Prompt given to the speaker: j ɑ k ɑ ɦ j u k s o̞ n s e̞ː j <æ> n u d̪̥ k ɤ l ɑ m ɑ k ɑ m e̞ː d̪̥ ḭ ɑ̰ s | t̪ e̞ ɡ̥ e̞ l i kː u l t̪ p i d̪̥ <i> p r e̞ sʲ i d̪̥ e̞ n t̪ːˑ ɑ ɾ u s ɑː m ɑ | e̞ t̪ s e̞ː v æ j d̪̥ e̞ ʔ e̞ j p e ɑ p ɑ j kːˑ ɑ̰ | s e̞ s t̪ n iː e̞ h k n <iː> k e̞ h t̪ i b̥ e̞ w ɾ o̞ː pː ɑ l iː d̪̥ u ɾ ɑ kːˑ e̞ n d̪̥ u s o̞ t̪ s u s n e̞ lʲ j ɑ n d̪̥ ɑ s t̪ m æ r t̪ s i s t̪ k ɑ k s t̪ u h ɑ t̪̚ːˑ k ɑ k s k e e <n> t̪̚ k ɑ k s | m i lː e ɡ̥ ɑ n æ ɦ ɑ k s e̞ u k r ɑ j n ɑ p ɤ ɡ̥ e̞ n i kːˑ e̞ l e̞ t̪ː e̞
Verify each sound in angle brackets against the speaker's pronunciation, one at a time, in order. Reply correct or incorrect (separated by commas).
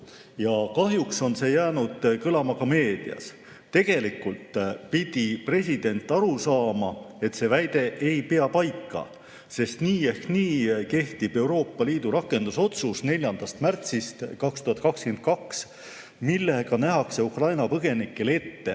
incorrect, correct, correct, correct